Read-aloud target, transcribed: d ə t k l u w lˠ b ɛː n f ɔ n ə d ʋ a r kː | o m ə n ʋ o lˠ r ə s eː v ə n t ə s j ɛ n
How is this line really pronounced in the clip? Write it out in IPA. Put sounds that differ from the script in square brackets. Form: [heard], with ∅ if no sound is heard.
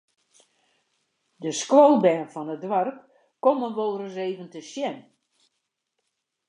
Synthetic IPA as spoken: d ə [s] k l [o] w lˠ b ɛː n f ɔ n ə d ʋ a r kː | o m ə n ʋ o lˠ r ə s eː v ə n t ə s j ɛ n